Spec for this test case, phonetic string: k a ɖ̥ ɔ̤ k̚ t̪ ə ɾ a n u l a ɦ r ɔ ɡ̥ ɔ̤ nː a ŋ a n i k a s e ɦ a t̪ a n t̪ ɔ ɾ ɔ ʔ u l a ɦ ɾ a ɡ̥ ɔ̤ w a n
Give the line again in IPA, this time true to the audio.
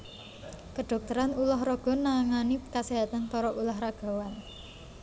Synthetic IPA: k ə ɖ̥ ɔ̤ k̚ t̪ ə ɾ a n u l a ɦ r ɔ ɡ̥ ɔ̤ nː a ŋ a n i k a s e ɦ a t̪ a n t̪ ɔ ɾ ɔ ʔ u l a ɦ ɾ a ɡ̥ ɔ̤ w a n

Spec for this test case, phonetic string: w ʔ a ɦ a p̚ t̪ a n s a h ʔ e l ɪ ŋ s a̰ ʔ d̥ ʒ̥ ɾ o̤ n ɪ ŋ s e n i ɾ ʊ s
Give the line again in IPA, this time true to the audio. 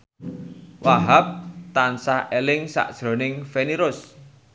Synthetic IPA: w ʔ a ɦ a p̚ t̪ a n s a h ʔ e l ɪ ŋ s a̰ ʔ d̥ ʒ̥ ɾ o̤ n ɪ ŋ f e n i ɾ ʊ s

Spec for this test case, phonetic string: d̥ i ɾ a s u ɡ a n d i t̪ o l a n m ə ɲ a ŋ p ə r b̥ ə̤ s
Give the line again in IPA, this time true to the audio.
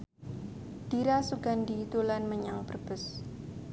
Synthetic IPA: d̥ i ɾ a s u ɡ a n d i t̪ u l a n m ə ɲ a ŋ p ə r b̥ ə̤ s

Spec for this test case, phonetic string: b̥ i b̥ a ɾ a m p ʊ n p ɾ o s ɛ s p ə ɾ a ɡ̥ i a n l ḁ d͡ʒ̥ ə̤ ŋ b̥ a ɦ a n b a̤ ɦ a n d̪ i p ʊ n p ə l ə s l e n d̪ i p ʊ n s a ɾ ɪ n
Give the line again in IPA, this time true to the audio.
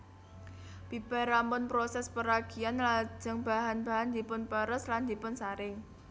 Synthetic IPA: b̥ i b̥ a ɾ a m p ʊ n p ɾ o s ɛ s p ə ɾ a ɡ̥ i a n l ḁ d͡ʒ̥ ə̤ ŋ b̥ a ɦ a n b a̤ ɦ a n d̪ i p ʊ n p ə ɾ ə s l a n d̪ i p ʊ n s a ɾ ɪ ŋ

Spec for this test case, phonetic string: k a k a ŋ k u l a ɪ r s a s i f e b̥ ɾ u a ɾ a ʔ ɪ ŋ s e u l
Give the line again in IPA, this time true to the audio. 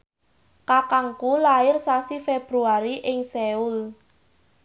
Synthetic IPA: k a k a ŋ k u l a ɪ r s a s i f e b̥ ɾ u a ɾ i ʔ ɪ ŋ s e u l

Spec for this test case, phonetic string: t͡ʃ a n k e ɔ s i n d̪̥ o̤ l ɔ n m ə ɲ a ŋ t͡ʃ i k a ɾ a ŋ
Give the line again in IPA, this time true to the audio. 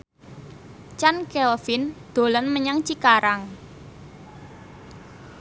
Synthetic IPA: t͡ʃ a n k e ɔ f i n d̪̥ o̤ l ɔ n m ə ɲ a ŋ t͡ʃ i k a ɾ a ŋ

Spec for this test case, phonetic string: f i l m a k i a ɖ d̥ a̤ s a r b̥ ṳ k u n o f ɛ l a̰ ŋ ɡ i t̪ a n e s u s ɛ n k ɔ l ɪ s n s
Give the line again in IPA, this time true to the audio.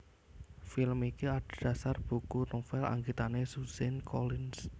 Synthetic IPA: f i l m i k i a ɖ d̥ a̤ s a r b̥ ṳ k u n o f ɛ l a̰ ŋ ɡ i t̪ a n e s u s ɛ n k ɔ l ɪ n s

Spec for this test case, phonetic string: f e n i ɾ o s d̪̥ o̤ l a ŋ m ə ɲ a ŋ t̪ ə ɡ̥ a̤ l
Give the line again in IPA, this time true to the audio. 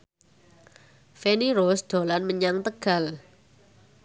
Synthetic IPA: f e n i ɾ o s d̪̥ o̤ l a n m ə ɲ a ŋ t̪ ə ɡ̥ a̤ l

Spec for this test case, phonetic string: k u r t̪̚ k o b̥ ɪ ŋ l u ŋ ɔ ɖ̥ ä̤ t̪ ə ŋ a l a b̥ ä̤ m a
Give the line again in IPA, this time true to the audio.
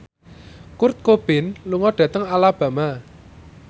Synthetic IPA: k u r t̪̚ k o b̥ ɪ n l u ŋ ɔ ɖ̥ ä̤ t̪ ə ŋ a l a b̥ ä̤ m a

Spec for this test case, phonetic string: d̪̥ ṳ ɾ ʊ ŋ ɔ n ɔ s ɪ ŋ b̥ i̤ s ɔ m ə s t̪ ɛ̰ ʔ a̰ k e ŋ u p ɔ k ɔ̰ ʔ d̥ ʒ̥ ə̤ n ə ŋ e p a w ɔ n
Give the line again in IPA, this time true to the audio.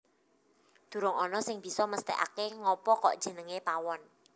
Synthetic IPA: d̪̥ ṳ ɾ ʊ ŋ ɔ n ɔ s ɪ ŋ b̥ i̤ s ɔ m ə s t̪ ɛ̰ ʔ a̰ k e ŋ ɔ p ɔ k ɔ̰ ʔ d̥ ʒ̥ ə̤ n ə ŋ e p a w ɔ n

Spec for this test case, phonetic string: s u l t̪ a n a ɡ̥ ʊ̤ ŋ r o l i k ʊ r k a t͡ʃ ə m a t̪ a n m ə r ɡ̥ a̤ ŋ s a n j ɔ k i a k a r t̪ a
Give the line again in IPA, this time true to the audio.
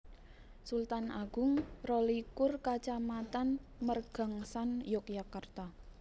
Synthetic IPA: s u l t̪ a n a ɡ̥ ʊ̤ ŋ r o l i k ʊ r k a t͡ʃ a m a t̪ a n m ə r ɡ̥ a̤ ŋ s a n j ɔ k j a k a r t̪ a

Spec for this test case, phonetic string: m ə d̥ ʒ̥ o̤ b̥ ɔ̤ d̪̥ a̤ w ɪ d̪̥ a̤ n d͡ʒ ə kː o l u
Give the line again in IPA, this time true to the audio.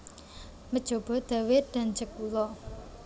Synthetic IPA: m ə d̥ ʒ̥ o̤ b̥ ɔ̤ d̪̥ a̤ w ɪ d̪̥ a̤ n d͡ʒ ə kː u l ɔ

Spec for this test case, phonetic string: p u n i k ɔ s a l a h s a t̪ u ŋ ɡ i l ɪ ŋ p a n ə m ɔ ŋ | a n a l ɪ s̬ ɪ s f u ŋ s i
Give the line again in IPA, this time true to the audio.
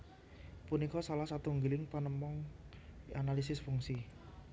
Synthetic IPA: p u n i k ɔ s a l a h s a t̪ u ŋ ɡ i l ɪ ŋ p a n ə m ɔ ŋ | a n a l i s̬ ɪ s f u ŋ s i

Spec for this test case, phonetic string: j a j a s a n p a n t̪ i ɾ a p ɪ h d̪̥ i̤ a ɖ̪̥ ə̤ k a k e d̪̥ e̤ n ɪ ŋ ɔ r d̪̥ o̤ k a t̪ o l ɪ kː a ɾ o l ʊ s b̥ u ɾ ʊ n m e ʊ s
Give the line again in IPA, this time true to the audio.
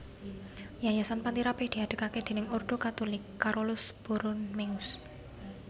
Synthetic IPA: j a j a s a n p a n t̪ i ɾ a p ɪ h d̪̥ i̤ a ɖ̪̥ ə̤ k a k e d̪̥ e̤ n ɪ ŋ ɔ r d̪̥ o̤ k a t̪ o l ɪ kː a ɾ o l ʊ s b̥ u ɾ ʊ n m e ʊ s

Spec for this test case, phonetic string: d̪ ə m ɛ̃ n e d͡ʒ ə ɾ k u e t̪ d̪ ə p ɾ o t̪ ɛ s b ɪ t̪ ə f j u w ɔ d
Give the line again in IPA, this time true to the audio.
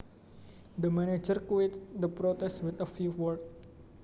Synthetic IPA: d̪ ə m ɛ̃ n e d͡ʒ ə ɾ k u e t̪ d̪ ə p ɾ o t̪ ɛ s w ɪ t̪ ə f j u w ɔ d

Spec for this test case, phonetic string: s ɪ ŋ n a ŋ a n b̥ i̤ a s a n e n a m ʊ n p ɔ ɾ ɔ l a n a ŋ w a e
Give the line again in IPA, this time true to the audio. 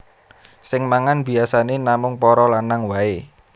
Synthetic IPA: s ɪ ŋ m a ŋ a n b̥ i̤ a s a n e n a m ʊ ŋ p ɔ ɾ ɔ l a n a ŋ w a e

